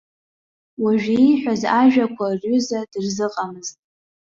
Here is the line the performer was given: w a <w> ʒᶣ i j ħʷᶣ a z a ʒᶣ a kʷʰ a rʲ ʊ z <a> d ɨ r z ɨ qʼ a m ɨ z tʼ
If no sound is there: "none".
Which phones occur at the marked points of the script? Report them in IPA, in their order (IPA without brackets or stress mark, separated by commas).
none, a